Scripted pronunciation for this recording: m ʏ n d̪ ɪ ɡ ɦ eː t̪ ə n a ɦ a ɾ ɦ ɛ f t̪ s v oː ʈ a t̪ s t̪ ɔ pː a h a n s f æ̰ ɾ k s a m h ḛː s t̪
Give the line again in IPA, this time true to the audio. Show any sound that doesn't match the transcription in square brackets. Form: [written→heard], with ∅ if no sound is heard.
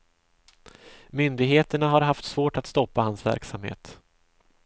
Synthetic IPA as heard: m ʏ n d̪ ɪ ɡ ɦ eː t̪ ə [n→ɳ] a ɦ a ɾ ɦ [ɛ→a] f t̪ s v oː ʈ a t̪ s t̪ ɔ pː a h a n s [f→v] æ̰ ɾ k s a m h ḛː [s→∅] t̪